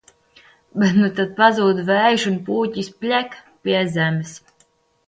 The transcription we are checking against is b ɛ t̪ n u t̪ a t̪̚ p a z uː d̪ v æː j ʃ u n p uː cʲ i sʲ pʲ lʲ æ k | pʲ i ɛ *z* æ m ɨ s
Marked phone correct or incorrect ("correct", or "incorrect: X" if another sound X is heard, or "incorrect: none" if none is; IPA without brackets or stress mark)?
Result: correct